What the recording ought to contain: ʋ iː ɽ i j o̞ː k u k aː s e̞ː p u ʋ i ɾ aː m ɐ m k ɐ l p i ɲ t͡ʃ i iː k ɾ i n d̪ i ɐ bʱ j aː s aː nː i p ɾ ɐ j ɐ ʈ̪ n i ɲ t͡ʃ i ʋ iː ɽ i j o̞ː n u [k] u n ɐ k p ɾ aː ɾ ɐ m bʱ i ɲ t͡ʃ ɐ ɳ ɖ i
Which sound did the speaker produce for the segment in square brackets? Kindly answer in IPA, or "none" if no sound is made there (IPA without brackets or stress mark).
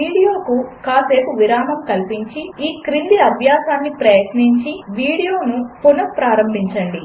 p